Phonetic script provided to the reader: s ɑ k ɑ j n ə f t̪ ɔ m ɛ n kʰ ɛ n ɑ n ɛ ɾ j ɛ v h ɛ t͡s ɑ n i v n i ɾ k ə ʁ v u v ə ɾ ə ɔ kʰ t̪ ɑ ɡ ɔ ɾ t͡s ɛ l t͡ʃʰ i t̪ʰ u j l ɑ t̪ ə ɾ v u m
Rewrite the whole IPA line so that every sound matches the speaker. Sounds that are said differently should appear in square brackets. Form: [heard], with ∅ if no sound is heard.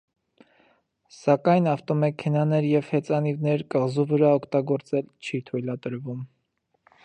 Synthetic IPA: s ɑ k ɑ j n [ɑ] f t̪ ɔ m ɛ [∅] kʰ ɛ n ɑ n ɛ ɾ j ɛ v h ɛ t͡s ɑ n i v n [ɛ] ɾ k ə ʁ [z] u v ə ɾ [ɑ] ɔ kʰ t̪ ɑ ɡ ɔ ɾ t͡s ɛ l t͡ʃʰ i t̪ʰ u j l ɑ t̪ ə ɾ v u m